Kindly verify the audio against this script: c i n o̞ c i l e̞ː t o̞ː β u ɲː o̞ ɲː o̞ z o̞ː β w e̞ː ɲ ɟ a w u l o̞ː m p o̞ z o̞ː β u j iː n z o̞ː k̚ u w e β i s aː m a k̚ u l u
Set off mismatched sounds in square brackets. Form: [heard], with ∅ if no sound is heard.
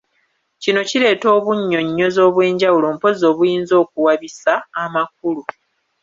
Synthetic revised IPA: c i n o̞ c i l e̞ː t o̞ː β u ɲː o̞ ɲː o̞ z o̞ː β w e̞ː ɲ ɟ a w u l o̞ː m p o̞ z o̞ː β u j iː n z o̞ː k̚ u w [a] β i s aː m a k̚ u l u